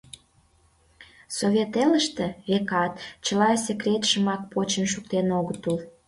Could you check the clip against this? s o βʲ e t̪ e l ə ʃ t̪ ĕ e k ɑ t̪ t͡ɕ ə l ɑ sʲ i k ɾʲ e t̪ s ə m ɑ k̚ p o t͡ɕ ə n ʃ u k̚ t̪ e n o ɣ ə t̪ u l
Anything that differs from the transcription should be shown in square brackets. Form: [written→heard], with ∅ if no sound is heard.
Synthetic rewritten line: s o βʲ e t̪ e l ə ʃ t̪ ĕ e k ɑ t̪ t͡ɕ ə l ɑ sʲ [i→e] k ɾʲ e t̪ [s→ʃ] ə m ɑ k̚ p o t͡ɕ ə n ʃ u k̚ t̪ e n o ɣ ə t̪ u l